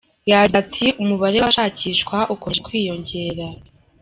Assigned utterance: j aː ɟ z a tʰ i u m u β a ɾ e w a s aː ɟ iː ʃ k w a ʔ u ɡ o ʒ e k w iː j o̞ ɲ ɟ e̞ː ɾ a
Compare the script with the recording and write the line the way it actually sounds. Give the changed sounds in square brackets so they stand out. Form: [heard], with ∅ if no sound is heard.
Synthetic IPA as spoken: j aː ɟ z a tʰ i u m u β a ɾ e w a [ʃ] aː [c] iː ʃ k w a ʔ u [k] o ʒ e k w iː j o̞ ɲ ɟ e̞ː ɾ a